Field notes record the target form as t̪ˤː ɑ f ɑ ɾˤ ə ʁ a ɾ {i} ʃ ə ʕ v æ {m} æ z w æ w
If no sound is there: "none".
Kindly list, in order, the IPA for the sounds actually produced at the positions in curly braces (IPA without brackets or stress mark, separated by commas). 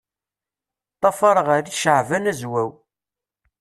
i, n